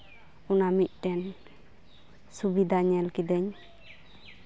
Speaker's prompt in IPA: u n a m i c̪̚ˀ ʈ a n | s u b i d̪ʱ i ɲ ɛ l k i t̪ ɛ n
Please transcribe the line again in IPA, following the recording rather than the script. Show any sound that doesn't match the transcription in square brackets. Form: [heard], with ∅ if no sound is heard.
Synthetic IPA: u n a m i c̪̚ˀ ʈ [ɛ] n | s u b i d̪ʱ [a] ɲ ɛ l k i [d̪] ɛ [ɲ]